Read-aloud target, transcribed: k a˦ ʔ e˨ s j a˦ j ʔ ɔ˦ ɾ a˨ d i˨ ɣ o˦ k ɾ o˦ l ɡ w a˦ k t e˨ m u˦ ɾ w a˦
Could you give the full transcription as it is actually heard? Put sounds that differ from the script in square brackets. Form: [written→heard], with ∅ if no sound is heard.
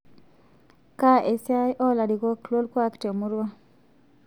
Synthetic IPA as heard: k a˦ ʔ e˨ s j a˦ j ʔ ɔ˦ [ɾ→l] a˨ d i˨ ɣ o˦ k [ɾ→l] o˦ l [ɡ→k] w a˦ k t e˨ m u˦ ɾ w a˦

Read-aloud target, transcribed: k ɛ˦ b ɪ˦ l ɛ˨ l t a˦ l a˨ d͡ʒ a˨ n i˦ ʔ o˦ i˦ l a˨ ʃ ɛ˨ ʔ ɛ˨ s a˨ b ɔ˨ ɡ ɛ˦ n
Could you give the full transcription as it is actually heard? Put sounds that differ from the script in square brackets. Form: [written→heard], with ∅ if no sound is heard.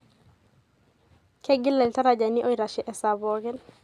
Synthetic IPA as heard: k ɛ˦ [b→ɡ] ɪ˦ l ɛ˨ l t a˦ [l→ɾ] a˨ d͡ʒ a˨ n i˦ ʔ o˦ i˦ [l→ɾ] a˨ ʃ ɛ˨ ʔ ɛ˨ s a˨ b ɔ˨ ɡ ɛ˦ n

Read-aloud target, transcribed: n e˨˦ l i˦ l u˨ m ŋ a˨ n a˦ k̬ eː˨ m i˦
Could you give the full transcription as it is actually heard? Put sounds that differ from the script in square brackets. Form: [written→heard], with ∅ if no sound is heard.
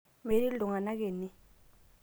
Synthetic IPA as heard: [n→m] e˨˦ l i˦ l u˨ [m→∅] ŋ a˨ n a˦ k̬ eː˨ [m→n] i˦

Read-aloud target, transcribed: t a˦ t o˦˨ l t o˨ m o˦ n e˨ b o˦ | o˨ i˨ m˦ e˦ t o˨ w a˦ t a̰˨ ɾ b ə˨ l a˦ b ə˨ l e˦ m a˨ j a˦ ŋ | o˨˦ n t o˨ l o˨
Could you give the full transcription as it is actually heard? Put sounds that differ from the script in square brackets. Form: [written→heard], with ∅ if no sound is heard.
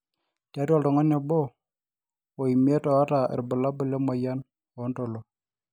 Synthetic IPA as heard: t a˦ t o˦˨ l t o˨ [m→ŋ] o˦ n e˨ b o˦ | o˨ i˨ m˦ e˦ t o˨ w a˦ t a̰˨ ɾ b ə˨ l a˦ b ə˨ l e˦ m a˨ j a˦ [ŋ→n] | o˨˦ n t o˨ l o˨

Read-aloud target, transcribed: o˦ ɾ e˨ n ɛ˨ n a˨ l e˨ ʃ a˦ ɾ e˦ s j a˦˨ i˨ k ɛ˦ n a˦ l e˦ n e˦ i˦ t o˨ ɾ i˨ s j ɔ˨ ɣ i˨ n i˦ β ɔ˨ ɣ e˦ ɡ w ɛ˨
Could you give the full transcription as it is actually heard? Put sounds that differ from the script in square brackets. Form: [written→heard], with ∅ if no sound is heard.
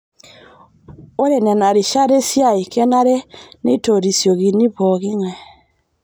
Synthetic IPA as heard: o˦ ɾ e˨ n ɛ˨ n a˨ [l→ɾ] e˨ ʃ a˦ ɾ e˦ s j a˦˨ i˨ k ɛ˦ n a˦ [l→ɾ] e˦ n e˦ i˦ t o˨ ɾ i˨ s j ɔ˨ ɣ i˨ n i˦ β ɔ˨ ɣ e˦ [ɡ→ŋ] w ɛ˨

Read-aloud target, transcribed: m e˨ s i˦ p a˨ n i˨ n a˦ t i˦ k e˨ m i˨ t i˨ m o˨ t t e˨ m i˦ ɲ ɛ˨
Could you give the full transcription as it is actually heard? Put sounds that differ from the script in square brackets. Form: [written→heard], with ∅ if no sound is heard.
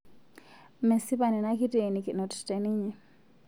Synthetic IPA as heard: m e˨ s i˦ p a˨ n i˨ n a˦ [t→k] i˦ [k→t] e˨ [m→n] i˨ [t→k] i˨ [m→n] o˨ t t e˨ [m→n] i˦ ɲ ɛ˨

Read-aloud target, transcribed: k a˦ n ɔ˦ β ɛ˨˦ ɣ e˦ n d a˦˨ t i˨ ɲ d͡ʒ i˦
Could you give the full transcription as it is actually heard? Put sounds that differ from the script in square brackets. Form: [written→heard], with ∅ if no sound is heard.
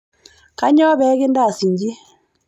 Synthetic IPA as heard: k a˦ [n→ɲ] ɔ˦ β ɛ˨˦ ɣ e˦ n d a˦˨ [t→s] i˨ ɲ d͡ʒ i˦

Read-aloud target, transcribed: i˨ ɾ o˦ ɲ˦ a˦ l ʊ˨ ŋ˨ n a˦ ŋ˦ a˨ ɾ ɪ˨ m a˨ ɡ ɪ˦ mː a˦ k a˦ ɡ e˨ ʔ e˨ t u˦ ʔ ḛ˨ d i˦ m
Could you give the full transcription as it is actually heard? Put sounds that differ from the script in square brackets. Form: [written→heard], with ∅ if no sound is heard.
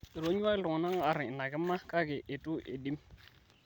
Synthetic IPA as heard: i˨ ɾ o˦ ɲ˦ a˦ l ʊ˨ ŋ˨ n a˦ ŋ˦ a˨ ɾ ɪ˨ [m→n] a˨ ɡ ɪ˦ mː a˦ k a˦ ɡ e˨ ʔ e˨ t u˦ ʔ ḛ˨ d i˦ m

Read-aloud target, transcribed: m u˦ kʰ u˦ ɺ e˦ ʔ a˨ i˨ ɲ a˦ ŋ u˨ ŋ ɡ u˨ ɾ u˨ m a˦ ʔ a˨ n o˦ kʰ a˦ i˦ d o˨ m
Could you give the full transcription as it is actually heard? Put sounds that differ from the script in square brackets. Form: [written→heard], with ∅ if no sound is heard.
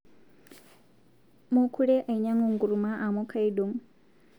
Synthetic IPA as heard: m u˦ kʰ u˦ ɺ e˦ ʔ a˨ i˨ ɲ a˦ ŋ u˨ ŋ ɡ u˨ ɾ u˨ m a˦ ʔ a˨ [n→m] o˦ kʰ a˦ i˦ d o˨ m

